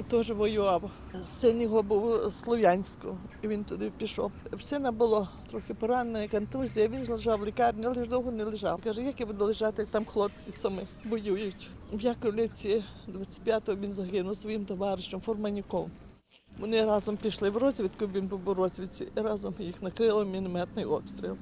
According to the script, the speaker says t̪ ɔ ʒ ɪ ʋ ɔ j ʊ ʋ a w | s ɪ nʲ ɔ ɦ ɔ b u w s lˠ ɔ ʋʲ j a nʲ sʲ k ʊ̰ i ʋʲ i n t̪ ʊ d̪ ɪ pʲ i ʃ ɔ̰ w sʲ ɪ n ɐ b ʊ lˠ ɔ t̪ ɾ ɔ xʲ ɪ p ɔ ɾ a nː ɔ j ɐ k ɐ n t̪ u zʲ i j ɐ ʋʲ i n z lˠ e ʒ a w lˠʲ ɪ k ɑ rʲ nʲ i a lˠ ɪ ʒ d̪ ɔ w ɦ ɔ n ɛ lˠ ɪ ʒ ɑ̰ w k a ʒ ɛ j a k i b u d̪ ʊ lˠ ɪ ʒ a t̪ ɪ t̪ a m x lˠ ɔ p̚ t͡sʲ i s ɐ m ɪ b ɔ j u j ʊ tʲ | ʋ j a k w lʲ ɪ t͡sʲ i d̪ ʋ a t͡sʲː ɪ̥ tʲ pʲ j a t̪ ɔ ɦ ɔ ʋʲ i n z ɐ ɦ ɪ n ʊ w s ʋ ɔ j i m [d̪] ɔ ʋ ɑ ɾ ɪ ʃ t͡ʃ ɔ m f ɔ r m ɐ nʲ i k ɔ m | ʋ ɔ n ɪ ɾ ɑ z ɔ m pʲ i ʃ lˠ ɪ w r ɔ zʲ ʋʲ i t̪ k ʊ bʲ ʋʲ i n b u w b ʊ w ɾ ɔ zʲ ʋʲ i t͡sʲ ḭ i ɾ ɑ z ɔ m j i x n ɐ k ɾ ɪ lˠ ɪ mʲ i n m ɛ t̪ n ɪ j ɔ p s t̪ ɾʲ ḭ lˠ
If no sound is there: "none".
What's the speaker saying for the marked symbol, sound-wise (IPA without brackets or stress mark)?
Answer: t̪